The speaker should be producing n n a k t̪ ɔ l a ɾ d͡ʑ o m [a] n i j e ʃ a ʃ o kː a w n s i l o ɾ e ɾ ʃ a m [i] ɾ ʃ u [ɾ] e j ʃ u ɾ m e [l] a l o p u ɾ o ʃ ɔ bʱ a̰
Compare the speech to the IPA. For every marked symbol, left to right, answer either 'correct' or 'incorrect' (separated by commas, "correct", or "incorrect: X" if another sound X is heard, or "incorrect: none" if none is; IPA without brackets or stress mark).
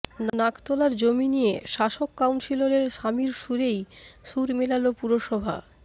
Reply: incorrect: i, correct, correct, correct